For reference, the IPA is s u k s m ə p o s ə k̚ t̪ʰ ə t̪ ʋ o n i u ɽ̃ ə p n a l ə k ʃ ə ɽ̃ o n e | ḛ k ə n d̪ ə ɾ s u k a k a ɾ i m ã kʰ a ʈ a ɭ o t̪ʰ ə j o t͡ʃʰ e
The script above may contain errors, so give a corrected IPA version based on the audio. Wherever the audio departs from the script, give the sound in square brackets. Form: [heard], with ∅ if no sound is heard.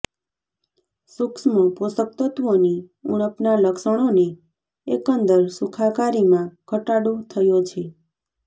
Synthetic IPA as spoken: s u k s m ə p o s ə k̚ [t̪] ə t̪ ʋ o n i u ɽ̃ ə p n a l ə k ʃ ə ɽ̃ o n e | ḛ k ə n d̪ ə ɾ s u [kʰ] a k a ɾ i m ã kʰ [ə] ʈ a [ɽ] o t̪ʰ ə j o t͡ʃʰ e